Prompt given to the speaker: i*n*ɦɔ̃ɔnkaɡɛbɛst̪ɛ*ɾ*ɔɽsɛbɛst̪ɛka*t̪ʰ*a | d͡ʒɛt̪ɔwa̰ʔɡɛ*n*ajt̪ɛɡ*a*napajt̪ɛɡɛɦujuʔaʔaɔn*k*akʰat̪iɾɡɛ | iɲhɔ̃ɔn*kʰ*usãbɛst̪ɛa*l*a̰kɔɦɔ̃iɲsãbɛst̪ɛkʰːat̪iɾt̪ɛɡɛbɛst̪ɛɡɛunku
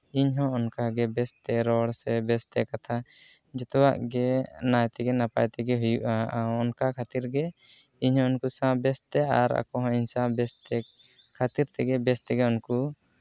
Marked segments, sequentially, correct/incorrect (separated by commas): incorrect, correct, correct, correct, incorrect, correct, incorrect, incorrect